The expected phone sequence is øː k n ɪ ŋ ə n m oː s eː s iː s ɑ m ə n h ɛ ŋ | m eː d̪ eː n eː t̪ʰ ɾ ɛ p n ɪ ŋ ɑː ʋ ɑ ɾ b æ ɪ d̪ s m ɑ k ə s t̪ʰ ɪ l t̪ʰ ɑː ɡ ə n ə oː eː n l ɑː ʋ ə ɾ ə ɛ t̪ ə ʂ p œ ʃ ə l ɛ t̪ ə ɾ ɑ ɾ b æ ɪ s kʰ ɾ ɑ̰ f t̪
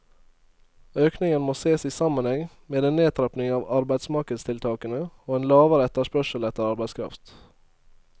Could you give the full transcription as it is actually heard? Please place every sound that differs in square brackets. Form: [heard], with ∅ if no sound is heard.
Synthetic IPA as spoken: øː k n ɪ ŋ ə n m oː s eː s iː s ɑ m ə n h ɛ ŋ | m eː d̪ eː n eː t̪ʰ ɾ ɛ p n ɪ ŋ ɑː ʋ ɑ ɾ b æ ɪ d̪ s m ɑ k ə s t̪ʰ ɪ l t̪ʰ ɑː [k] ə n ə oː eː n l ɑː ʋ ə ɾ ə ɛ t̪ ə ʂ p œ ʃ ə l ɛ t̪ ə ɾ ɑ ɾ b æ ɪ s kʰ ɾ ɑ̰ f t̪